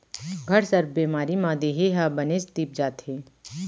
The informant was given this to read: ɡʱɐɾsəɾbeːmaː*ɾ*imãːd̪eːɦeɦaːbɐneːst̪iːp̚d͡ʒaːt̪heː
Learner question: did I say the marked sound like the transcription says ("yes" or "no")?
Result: yes